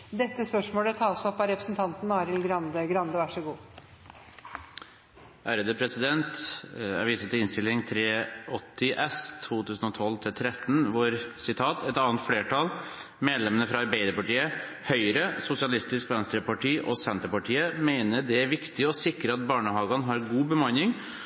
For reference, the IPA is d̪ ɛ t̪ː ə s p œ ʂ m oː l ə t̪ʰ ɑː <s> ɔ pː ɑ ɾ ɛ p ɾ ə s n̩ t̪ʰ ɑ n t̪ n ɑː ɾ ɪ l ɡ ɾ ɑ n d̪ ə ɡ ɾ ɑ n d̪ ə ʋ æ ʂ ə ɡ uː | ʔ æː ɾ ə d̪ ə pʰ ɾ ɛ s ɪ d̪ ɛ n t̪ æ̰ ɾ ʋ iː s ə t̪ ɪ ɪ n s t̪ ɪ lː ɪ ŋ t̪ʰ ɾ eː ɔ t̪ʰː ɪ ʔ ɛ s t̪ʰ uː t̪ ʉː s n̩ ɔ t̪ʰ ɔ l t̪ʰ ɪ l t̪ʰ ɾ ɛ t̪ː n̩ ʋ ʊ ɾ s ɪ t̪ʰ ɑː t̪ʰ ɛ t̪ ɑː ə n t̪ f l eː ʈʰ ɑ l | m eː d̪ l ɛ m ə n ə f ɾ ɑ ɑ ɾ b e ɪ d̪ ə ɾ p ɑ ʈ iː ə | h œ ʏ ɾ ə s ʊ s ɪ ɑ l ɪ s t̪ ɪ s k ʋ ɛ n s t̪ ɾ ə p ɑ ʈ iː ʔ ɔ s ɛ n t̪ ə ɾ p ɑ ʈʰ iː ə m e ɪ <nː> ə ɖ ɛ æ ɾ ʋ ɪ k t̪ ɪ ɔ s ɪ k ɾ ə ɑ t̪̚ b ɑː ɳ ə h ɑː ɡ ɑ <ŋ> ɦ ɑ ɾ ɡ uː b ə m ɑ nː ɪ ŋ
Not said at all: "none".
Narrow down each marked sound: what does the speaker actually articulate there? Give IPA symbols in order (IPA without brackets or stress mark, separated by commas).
s, n, n